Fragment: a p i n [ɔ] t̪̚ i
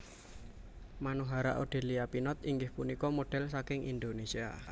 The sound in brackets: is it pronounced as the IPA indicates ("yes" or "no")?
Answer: yes